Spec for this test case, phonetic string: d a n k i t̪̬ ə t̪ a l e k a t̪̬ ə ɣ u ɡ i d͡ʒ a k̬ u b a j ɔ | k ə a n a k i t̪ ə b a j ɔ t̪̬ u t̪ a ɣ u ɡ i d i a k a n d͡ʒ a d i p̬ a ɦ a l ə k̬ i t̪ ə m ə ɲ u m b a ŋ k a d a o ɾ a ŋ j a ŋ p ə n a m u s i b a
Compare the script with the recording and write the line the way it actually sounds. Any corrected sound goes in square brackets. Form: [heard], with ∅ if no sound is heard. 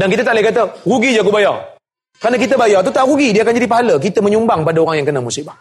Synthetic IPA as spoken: d a n k i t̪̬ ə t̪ a l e k a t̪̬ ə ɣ u ɡ i d͡ʒ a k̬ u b a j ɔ | k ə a n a k i t̪ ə b a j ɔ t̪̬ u t̪ a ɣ u ɡ i d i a k a n d͡ʒ a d i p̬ a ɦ a l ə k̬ i t̪ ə m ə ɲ u m b a ŋ [p] a d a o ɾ a ŋ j a ŋ [k] ə n a m u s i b a